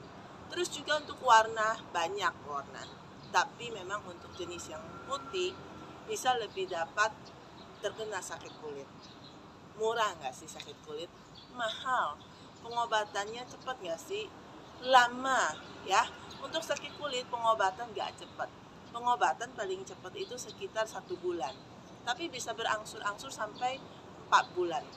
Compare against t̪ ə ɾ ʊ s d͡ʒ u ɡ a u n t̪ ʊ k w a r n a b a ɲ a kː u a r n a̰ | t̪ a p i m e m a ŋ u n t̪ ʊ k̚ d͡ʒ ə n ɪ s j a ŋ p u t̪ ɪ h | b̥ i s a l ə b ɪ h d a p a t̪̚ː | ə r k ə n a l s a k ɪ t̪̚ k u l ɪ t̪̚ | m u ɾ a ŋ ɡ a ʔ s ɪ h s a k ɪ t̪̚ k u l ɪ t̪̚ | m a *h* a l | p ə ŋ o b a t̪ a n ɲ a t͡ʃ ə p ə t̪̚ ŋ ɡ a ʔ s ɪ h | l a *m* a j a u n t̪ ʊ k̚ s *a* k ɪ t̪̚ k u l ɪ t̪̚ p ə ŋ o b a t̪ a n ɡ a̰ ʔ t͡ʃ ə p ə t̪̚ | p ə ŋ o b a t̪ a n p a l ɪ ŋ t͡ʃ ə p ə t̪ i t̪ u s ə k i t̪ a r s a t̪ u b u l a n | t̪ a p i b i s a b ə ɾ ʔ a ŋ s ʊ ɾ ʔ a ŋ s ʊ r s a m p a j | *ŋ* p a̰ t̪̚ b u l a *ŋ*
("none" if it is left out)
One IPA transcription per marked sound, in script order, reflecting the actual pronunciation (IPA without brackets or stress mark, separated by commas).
h, m, a, m, n